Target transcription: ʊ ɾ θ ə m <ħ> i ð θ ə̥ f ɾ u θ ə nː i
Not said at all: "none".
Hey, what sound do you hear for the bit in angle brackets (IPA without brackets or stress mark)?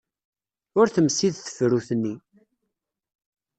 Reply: s